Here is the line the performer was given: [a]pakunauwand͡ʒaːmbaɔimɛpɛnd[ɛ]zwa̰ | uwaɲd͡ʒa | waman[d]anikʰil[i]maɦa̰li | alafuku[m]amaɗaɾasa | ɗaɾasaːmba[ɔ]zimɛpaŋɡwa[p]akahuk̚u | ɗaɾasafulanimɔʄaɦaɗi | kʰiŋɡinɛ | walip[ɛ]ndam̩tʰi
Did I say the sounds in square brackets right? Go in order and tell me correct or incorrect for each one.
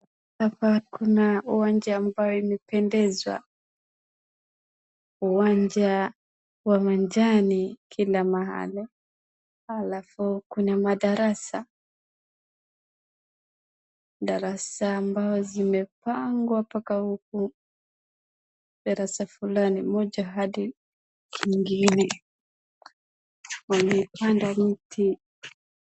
correct, correct, incorrect: d͡ʒ, incorrect: a, incorrect: n, correct, correct, incorrect: a

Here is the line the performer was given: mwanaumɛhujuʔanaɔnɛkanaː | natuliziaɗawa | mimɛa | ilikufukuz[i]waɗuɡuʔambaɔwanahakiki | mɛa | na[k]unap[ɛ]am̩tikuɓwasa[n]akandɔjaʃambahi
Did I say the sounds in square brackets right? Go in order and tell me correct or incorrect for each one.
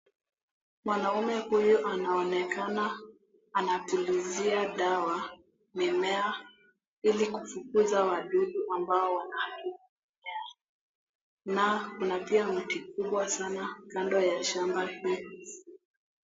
incorrect: a, correct, incorrect: i, correct

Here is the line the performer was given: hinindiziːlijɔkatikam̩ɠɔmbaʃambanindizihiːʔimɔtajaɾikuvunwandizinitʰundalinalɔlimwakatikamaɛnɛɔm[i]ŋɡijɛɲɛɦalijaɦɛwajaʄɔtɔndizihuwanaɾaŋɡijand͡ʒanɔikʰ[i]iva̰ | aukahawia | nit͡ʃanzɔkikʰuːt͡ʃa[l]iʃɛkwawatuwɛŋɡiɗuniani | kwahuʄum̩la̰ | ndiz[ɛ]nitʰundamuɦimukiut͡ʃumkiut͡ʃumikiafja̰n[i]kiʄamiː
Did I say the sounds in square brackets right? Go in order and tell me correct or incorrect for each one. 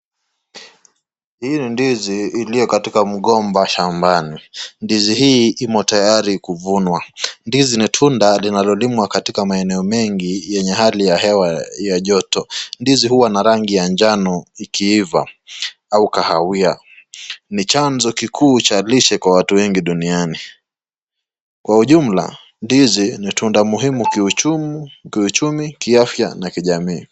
incorrect: ɛ, correct, correct, incorrect: i, incorrect: a

